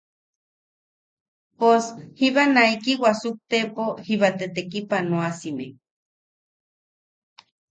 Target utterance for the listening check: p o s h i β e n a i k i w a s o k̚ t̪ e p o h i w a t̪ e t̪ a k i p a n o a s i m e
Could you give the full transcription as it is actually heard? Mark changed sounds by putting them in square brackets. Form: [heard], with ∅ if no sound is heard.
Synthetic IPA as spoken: p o s h i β [a] n a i k i w a s [u] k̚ t̪ e p o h i [β] a t̪ e t̪ [e] k i p a n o a s i m e